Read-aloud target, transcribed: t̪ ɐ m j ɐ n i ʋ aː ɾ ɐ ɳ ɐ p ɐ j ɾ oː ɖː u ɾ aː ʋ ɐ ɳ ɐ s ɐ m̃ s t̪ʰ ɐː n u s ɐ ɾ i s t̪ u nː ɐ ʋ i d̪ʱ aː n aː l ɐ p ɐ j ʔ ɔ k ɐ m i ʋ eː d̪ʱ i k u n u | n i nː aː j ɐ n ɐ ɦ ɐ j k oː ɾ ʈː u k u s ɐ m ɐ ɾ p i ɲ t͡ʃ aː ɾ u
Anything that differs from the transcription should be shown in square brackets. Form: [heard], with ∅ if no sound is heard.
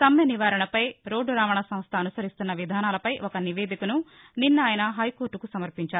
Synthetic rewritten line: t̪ ɐ m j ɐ n i ʋ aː ɾ ɐ ɳ ɐ p ɐ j ɾ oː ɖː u ɾ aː ʋ ɐ ɳ ɐ s ɐ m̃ s t̪ʰ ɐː n u s ɐ ɾ i s t̪ u nː ɐ ʋ i d̪ʱ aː n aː l ɐ p ɐ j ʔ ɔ k ɐ [n] i ʋ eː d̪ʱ i k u n u | n i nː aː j ɐ n ɐ ɦ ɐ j k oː ɾ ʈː u k u s ɐ m ɐ ɾ p i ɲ t͡ʃ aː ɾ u